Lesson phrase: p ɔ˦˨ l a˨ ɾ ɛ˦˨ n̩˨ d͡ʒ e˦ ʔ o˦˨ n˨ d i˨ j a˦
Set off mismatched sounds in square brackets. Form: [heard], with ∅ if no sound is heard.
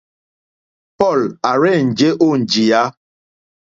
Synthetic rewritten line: p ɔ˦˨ l a˨ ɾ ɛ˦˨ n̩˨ d͡ʒ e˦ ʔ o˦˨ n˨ [d͡ʒ] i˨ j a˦